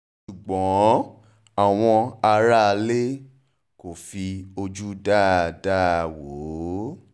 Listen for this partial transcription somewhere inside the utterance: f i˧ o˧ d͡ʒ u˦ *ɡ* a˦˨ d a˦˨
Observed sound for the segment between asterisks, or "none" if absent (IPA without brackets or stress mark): d